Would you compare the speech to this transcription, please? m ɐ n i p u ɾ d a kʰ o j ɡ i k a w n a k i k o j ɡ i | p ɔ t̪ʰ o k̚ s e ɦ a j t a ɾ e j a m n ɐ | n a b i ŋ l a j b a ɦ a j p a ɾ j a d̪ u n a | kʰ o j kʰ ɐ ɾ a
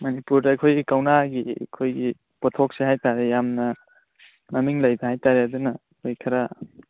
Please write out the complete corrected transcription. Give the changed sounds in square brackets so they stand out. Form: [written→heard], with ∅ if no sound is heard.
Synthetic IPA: m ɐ n i p u ɾ d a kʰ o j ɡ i k a w n a [k→ɡ] i [k→kʰ] o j ɡ i | p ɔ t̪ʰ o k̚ s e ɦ a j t a ɾ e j a m n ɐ | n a [b→m] i ŋ l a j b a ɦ a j [p→t] a ɾ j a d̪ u n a | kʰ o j kʰ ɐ ɾ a